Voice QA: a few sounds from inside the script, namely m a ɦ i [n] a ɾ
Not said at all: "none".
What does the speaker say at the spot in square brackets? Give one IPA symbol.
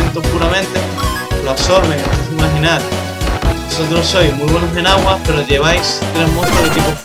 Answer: n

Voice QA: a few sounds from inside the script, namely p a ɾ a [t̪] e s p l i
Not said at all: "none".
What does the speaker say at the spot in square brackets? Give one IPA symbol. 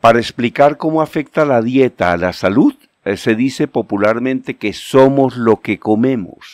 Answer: none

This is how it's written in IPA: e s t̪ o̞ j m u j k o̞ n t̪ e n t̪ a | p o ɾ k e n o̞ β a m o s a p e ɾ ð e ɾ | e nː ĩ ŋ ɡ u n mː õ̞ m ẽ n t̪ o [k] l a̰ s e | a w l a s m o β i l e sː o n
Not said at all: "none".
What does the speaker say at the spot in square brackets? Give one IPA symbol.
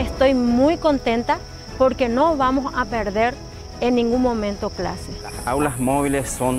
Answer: k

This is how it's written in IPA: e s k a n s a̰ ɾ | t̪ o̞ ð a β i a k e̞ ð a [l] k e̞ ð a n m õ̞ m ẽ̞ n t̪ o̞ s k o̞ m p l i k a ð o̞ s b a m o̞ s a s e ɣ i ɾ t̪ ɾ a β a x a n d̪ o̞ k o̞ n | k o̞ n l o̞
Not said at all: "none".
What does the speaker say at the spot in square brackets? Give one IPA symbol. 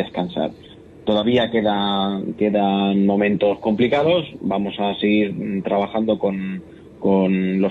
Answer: none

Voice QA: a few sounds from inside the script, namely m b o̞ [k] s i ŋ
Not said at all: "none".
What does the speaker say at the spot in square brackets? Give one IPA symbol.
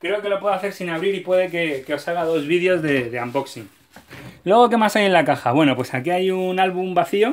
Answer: k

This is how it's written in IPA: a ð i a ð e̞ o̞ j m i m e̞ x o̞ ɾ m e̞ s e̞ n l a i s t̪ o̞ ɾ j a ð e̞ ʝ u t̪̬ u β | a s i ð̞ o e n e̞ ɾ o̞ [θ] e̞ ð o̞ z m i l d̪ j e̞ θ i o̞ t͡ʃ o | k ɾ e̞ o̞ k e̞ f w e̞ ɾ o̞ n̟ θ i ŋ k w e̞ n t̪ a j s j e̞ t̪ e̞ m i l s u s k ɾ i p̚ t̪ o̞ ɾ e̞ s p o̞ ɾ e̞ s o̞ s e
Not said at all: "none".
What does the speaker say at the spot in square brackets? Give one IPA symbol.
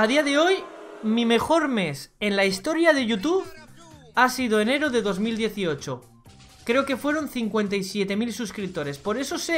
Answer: ð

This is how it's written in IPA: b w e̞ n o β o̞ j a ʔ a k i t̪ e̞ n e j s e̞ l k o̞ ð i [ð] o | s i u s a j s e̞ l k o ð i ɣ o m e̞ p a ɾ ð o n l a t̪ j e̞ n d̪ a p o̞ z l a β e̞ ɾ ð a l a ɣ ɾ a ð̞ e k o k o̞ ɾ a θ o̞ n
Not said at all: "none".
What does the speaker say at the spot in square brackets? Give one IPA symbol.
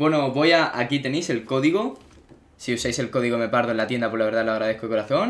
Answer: ɣ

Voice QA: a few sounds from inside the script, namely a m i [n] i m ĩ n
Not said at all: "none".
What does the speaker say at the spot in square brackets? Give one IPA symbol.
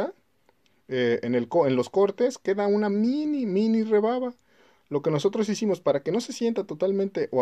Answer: n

